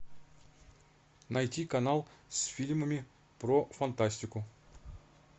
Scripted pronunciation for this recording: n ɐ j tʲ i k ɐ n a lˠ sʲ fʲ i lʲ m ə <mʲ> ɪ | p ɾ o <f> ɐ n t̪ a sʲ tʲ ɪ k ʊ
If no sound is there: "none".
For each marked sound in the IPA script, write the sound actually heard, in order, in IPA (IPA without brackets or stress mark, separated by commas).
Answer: mʲ, f